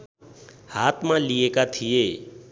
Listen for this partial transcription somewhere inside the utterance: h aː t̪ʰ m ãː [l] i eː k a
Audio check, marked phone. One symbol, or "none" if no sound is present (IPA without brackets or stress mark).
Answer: l